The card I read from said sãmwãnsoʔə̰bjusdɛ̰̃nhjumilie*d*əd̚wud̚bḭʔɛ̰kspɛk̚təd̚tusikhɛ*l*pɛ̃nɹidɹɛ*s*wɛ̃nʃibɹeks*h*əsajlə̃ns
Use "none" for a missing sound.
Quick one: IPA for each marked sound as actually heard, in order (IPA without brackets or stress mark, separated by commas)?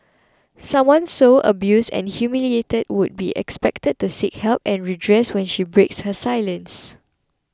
t, l, s, h